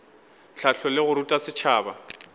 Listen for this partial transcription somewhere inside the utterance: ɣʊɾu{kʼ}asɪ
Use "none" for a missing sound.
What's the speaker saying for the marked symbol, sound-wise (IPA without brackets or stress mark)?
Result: tʼ